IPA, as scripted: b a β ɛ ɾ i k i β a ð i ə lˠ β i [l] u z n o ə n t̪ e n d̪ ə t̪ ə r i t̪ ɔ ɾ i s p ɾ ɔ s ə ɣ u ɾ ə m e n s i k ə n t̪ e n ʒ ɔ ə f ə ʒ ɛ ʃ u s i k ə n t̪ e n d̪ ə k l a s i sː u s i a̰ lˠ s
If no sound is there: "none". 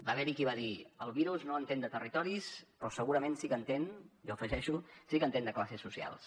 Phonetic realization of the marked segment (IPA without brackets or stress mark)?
ɾ